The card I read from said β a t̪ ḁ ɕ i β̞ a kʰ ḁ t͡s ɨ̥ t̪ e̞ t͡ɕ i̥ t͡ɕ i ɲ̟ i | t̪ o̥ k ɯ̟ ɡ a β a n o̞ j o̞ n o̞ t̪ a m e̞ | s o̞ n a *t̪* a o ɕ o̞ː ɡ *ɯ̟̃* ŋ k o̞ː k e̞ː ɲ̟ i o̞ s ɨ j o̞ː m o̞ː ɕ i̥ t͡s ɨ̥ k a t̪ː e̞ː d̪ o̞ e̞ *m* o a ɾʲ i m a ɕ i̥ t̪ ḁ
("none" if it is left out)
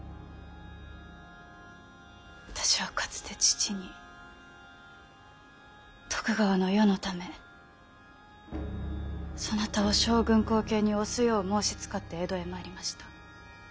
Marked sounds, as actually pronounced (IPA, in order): t̪, ɯ̟̃, m

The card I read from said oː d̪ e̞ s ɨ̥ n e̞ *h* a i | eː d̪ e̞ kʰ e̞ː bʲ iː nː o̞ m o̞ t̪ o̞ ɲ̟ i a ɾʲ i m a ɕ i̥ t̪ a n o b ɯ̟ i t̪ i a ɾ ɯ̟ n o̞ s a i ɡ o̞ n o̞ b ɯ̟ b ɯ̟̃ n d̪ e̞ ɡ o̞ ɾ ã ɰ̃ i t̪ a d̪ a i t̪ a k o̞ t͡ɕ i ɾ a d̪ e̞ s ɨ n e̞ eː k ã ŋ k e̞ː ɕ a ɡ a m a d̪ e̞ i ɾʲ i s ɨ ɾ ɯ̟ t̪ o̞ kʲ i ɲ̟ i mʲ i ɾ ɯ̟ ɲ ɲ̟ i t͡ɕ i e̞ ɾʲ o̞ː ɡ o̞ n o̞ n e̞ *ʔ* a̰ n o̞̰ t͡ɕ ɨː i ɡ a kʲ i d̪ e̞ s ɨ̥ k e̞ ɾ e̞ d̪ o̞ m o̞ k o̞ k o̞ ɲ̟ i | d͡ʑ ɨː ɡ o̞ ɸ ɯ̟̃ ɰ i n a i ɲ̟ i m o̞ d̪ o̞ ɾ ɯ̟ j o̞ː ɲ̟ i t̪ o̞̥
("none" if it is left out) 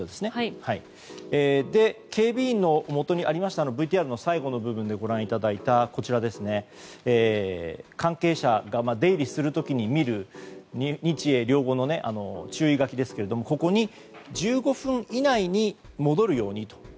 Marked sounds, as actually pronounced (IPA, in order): h, ʔ

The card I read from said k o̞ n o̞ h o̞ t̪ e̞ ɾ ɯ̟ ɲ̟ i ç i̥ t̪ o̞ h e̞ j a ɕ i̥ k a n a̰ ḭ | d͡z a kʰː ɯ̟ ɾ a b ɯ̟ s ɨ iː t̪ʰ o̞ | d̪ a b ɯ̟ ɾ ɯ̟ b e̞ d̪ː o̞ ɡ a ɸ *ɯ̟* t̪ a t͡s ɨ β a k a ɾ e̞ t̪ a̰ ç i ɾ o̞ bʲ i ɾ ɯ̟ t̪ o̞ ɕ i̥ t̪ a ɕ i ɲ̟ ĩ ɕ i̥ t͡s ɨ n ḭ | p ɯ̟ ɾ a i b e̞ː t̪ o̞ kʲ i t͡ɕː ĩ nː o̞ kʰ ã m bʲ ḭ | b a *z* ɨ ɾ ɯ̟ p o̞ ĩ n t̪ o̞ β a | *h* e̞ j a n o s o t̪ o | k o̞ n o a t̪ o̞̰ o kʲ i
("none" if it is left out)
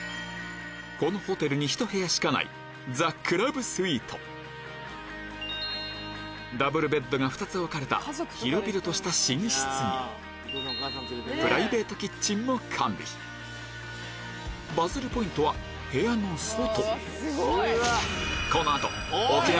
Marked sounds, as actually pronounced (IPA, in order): ɯ̟, z, h

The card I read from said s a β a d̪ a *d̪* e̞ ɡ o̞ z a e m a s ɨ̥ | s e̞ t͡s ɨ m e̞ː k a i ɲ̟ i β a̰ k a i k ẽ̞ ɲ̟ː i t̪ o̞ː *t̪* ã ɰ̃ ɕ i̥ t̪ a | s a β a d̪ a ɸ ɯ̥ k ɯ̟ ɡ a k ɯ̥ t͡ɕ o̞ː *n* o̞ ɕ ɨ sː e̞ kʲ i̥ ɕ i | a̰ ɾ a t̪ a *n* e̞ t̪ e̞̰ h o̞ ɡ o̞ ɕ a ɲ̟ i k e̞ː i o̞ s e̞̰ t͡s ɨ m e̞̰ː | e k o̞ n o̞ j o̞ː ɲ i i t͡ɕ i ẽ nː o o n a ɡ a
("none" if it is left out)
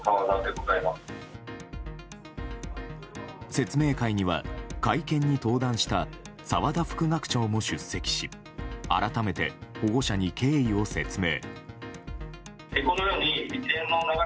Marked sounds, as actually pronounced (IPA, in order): d̪, d̪, m, m

